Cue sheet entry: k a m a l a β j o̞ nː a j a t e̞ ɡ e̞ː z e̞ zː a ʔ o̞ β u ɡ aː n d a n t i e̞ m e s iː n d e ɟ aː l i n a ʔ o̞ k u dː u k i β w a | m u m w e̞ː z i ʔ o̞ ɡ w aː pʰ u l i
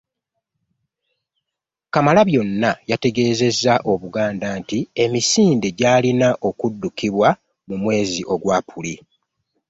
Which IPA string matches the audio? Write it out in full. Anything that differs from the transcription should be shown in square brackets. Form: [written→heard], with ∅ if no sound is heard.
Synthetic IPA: k a m a l a β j o̞ nː a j a t e̞ ɡ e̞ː z e̞ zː a ʔ o̞ β u ɡ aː n d a n t i e̞ m [e→i] s iː n d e ɟ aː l i n a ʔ o̞ k u dː u k i β w a | m u m w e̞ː z i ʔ o̞ ɡ w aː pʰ u l i